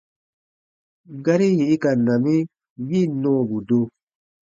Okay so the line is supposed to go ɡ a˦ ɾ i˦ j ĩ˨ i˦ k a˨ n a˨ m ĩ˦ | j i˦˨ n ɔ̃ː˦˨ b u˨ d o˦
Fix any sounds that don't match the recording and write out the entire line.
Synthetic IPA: ɡ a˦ ɾ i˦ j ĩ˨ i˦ k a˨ n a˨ m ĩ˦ | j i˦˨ n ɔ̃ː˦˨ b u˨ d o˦